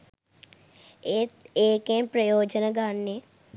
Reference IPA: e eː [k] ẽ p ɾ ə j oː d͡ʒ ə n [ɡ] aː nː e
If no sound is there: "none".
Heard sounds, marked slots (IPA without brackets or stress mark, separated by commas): k, ɡ